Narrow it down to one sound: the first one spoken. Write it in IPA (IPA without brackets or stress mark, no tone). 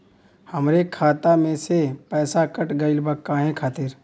h